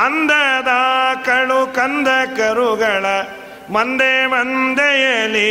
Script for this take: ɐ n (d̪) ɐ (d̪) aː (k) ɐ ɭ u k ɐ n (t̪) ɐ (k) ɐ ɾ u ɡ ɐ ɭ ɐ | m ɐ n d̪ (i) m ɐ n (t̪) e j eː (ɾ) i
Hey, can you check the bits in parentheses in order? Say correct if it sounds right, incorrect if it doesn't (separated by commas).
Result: correct, correct, correct, incorrect, correct, incorrect, incorrect, incorrect